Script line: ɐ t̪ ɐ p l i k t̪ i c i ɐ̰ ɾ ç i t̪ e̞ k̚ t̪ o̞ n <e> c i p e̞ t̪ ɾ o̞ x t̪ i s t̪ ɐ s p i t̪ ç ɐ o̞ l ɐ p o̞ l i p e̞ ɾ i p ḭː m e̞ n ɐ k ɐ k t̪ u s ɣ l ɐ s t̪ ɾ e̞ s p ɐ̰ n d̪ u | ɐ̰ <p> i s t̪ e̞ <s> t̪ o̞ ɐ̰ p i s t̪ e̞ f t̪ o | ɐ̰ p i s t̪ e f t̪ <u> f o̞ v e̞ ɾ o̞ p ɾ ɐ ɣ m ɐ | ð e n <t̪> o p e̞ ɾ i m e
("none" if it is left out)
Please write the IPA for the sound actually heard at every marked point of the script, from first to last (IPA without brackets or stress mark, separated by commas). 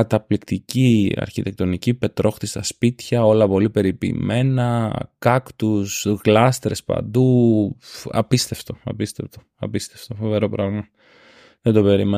i, p, f, o, d̪